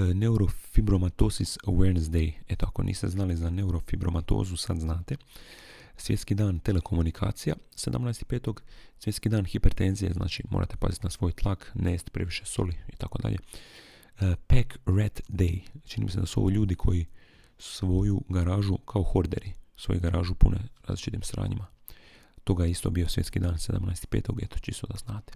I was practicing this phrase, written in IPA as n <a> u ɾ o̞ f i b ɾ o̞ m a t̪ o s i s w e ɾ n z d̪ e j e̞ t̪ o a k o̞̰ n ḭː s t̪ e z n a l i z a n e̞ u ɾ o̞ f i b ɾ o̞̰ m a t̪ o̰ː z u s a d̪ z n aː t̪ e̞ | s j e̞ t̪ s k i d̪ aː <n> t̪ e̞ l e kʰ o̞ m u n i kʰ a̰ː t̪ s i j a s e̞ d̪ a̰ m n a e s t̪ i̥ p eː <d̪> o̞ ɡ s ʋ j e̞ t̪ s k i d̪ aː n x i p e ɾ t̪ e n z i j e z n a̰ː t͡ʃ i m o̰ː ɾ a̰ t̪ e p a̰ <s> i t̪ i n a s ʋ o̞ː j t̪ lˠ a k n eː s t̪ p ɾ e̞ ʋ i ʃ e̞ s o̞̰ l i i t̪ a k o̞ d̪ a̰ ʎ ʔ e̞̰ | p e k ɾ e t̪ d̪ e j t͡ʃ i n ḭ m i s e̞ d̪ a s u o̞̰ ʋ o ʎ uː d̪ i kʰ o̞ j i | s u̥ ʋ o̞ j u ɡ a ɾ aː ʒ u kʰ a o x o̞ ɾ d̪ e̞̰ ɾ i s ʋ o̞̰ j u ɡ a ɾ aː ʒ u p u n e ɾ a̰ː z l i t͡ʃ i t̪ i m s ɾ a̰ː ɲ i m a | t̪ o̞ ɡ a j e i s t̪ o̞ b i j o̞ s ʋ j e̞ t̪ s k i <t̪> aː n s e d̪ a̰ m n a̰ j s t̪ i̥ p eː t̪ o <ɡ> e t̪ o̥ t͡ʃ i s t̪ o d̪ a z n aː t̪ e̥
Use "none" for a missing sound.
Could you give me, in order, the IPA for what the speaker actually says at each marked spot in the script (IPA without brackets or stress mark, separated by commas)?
e, n, t̪, z, d̪, ɡ